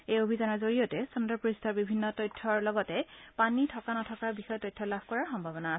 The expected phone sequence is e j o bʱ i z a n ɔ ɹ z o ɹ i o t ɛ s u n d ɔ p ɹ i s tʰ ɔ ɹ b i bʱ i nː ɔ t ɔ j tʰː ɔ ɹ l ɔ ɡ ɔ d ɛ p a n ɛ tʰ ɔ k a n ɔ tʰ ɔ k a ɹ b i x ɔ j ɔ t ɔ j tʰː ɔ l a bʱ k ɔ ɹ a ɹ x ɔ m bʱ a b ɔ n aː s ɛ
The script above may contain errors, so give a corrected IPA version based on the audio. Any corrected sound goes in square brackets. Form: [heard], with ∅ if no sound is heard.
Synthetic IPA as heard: e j o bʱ i z a n ɔ ɹ z o ɹ i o t ɛ s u n d ɔ p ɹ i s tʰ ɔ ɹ b i bʱ i nː ɔ t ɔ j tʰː ɔ ɹ l ɔ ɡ ɔ [t] ɛ p a n [i] tʰ ɔ k a n ɔ tʰ ɔ k a ɹ b i x ɔ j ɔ t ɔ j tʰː ɔ l a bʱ k ɔ ɹ a ɹ x ɔ m bʱ a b ɔ n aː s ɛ